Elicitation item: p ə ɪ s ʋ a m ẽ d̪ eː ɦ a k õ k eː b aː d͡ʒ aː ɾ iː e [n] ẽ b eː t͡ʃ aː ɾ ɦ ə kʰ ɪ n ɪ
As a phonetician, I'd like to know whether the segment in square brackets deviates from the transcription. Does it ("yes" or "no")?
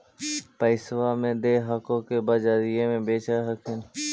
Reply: yes